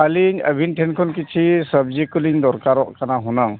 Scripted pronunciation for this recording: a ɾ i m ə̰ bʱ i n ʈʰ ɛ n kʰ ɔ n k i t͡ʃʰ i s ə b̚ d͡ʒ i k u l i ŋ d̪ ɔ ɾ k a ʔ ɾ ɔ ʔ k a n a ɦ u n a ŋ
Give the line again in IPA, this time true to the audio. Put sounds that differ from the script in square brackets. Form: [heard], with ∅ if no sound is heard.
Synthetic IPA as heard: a [l] i [ɲ] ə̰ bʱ i n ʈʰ ɛ n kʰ ɔ n k i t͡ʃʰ i s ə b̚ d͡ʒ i k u l i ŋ d̪ ɔ ɾ k a [∅] ɾ ɔ ʔ k a n a ɦ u n a ŋ